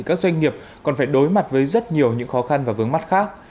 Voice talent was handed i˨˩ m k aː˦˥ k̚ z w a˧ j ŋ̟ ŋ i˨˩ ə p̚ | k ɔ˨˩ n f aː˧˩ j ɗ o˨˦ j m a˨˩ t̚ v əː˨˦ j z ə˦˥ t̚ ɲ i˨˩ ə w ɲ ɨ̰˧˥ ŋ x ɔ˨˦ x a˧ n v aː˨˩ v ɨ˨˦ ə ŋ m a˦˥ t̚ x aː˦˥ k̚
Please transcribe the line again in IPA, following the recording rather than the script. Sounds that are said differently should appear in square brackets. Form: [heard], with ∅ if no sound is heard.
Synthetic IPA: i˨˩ [∅] k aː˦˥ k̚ z w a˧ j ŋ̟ ŋ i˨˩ ə p̚ | k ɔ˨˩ n f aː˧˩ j ɗ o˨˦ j m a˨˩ t̚ v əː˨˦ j z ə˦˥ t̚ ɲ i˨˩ ə w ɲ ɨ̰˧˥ ŋ x ɔ˨˦ x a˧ n v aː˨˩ v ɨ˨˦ ə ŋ m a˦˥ t̚ x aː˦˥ k̚